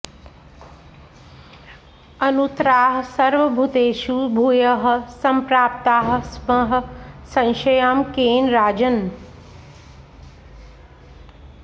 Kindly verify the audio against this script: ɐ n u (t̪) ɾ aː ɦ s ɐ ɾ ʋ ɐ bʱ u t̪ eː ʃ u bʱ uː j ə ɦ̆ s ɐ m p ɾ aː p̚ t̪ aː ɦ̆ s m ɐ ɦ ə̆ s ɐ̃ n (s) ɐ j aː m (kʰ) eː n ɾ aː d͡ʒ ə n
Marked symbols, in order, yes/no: yes, no, no

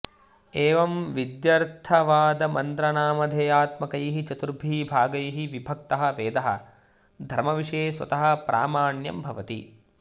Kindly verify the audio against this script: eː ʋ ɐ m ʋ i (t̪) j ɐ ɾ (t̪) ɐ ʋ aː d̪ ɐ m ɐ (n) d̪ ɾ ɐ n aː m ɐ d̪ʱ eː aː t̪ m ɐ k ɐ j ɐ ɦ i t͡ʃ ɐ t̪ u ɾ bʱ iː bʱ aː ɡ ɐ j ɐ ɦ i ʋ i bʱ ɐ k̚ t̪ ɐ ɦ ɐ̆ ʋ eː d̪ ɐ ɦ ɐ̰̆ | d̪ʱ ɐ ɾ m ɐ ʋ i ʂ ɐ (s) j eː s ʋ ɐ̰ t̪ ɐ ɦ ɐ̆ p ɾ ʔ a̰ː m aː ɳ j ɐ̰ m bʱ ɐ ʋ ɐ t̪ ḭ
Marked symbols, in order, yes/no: no, no, yes, no

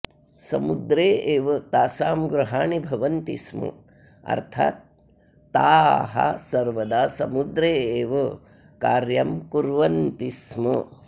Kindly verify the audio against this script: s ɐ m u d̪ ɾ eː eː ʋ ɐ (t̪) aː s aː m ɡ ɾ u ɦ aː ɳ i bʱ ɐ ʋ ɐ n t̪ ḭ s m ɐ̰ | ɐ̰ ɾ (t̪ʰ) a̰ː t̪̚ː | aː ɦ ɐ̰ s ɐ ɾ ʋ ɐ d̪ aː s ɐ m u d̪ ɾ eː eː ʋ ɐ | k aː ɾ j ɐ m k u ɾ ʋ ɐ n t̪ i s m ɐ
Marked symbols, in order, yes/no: yes, yes

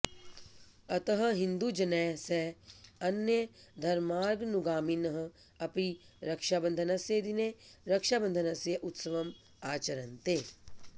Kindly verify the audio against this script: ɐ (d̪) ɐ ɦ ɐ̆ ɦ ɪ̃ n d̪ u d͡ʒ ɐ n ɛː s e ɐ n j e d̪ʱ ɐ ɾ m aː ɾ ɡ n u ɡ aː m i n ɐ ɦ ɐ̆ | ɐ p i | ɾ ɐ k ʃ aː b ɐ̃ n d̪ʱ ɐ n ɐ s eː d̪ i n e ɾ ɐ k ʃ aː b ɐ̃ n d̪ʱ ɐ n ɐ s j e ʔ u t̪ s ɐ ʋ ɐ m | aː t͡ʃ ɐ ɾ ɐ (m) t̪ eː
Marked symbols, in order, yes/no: no, no

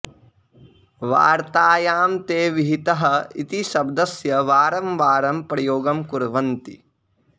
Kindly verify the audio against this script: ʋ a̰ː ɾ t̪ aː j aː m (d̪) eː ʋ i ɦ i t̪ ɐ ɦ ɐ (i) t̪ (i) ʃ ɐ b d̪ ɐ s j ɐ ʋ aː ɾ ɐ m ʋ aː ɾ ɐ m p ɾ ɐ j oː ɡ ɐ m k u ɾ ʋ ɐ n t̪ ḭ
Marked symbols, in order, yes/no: no, yes, yes

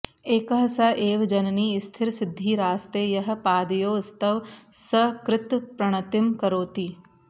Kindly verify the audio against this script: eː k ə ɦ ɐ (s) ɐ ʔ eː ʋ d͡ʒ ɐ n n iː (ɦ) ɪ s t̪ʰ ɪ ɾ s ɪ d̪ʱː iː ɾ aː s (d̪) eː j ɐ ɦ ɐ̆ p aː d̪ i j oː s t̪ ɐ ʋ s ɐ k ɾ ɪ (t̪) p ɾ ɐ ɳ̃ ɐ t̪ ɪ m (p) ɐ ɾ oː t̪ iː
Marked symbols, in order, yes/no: yes, no, no, yes, no

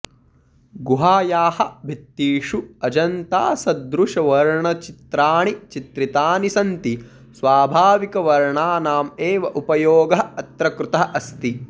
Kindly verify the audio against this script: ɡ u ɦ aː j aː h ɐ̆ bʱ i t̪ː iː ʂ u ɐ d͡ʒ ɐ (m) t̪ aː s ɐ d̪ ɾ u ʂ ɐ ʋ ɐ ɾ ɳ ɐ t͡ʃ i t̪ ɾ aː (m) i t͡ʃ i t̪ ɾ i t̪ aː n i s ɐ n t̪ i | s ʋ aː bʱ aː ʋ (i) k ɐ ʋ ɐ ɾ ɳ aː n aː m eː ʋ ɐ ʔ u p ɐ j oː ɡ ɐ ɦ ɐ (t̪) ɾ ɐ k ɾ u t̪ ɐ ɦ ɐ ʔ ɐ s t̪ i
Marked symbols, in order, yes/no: no, no, yes, yes

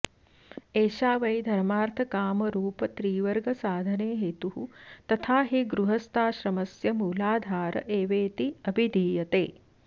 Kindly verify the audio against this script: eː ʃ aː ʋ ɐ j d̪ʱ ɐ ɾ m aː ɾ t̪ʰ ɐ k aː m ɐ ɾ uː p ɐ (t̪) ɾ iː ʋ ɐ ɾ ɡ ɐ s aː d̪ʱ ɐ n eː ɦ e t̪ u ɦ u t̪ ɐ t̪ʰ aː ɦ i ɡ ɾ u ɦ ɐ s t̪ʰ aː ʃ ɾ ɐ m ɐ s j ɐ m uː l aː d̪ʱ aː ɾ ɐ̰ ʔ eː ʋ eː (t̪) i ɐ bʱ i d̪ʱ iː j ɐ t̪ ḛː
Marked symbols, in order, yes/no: yes, yes

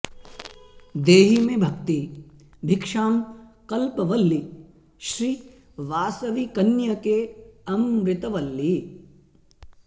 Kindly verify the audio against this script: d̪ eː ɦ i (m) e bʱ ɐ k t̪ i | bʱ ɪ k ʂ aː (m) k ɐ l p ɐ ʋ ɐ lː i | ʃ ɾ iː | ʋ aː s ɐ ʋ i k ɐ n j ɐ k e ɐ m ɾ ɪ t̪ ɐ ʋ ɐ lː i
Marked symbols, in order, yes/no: yes, yes

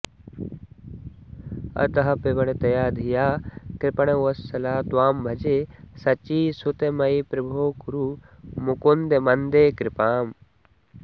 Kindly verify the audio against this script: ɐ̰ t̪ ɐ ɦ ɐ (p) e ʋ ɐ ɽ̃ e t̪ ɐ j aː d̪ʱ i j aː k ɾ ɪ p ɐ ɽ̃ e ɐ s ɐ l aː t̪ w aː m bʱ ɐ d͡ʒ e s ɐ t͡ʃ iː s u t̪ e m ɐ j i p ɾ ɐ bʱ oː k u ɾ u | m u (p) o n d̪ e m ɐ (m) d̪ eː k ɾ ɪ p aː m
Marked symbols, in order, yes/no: yes, no, no

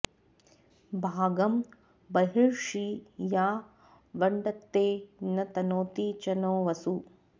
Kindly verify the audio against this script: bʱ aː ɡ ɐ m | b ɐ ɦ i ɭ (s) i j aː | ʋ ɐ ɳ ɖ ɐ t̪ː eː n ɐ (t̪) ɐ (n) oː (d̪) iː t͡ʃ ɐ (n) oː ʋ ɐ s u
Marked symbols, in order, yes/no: no, yes, yes, no, yes

